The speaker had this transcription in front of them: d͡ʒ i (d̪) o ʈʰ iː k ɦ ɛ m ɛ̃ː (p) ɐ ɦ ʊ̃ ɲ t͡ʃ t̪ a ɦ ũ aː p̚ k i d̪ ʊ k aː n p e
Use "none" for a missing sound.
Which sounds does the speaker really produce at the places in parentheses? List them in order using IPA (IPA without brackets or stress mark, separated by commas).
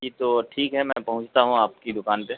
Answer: t̪, p